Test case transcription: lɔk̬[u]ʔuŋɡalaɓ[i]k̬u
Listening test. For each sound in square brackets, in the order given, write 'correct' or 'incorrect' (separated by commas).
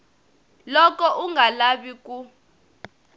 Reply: incorrect, correct